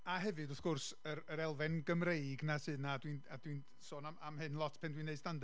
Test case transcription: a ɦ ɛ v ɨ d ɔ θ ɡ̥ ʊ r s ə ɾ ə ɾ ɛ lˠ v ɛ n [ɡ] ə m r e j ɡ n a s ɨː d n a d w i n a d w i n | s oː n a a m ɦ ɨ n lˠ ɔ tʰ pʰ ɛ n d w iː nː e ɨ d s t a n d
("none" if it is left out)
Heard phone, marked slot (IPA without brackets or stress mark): ɡ